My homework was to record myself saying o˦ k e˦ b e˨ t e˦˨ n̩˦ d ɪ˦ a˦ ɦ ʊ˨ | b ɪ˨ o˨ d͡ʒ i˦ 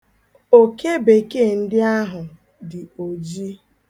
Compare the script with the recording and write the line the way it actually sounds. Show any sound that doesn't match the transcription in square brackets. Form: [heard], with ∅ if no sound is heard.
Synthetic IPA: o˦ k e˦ b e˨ [k] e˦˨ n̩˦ d ɪ˦ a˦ ɦ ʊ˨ | [d] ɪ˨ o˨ d͡ʒ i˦